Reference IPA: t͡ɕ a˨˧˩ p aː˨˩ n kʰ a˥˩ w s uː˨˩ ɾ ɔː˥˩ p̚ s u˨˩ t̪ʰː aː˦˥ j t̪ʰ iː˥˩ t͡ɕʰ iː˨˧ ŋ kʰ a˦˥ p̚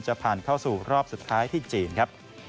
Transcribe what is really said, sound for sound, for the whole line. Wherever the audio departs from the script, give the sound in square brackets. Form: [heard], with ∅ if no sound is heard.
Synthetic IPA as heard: t͡ɕ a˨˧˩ [pʰ] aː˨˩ n kʰ a˥˩ w s uː˨˩ ɾ ɔː˥˩ p̚ s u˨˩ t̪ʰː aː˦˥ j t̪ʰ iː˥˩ [t͡ɕ] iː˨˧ [n] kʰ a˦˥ p̚